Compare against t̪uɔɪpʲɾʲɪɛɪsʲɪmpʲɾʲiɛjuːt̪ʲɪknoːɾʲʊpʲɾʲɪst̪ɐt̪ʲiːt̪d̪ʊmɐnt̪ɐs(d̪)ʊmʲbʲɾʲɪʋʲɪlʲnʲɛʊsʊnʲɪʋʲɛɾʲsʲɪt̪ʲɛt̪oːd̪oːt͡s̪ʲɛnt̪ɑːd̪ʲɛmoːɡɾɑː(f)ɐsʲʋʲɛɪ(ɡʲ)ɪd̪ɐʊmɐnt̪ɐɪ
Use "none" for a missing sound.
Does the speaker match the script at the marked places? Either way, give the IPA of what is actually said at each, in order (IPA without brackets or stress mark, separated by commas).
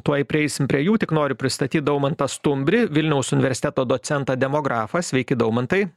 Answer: t̪, f, kʲ